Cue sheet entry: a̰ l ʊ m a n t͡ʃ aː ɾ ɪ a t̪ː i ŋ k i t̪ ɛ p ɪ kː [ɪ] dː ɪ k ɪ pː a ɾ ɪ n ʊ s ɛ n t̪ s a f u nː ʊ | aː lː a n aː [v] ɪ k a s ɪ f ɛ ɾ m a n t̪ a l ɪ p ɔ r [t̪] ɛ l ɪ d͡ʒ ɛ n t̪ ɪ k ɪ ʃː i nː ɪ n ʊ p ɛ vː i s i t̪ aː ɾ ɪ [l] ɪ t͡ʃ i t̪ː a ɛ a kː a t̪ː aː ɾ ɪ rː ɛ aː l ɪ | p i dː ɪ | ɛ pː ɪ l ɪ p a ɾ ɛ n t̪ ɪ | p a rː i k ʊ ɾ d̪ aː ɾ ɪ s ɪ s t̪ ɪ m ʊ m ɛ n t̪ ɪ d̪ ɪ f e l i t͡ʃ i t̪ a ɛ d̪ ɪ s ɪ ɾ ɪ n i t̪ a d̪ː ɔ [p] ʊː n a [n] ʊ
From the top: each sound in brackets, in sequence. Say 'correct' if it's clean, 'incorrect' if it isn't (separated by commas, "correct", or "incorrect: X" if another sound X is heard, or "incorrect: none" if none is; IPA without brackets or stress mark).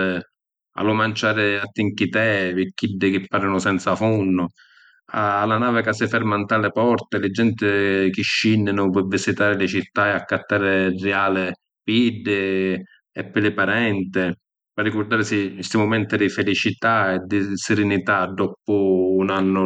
incorrect: i, correct, correct, correct, correct, incorrect: nː